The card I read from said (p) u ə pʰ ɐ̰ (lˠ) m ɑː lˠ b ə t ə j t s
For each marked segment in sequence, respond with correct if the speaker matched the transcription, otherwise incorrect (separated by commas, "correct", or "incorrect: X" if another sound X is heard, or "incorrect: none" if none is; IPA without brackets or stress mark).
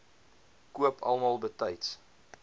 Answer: incorrect: k, correct